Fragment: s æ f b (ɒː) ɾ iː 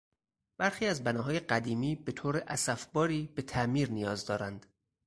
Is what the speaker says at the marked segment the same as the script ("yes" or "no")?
yes